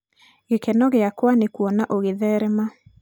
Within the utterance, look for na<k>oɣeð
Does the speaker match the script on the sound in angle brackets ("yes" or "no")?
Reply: no